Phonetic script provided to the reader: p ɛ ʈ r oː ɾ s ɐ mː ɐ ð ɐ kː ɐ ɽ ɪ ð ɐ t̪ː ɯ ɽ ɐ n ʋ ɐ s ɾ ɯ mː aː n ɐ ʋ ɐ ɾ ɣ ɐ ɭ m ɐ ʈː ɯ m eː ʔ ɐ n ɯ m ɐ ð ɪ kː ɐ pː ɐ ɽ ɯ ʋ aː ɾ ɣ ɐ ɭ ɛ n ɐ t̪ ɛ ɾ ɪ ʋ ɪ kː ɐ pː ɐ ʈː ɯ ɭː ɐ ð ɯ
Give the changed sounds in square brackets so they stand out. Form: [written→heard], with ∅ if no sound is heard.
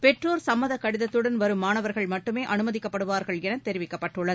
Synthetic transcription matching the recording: p ɛ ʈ r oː ɾ s ɐ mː ɐ ð ɐ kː ɐ ɽ ɪ ð ɐ t̪ː ɯ ɽ ɐ n ʋ ɐ [s→∅] ɾ ɯ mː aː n ɐ ʋ ɐ ɾ ɣ ɐ ɭ m ɐ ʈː ɯ m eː ʔ ɐ n ɯ m ɐ ð ɪ kː ɐ pː ɐ ɽ ɯ ʋ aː ɾ ɣ ɐ ɭ ɛ n ɐ t̪ ɛ ɾ ɪ ʋ ɪ kː ɐ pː ɐ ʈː ɯ ɭː ɐ ð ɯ